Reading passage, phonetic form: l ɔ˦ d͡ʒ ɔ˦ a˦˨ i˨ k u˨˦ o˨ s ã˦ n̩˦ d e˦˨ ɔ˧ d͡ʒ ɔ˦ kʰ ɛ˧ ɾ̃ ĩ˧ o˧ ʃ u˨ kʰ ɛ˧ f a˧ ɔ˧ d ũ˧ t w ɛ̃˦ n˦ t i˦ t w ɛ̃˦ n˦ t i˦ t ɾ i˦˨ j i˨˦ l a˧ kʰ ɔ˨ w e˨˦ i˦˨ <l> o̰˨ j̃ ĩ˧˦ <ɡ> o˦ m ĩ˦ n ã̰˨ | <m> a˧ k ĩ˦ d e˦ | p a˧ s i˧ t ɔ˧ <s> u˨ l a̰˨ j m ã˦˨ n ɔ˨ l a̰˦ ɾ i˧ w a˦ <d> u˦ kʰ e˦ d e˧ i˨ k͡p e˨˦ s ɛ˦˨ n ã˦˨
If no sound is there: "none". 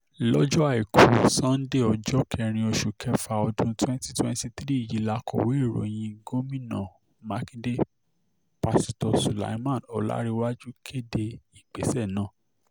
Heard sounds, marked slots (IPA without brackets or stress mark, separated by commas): ɾ, ɡ, m, s, d͡ʒ